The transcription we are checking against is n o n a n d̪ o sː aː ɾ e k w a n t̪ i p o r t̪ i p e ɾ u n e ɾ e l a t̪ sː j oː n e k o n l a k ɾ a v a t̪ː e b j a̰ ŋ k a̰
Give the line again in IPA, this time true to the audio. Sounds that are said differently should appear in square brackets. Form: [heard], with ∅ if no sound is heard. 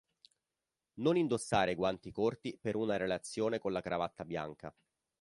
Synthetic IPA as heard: n o n [i] n d̪ o sː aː ɾ e [ɡ] w a n t̪ i [k] o r t̪ i p e ɾ u n [a] ɾ e l a t̪ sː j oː n e k o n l a k ɾ a v a t̪ː [a] b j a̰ ŋ k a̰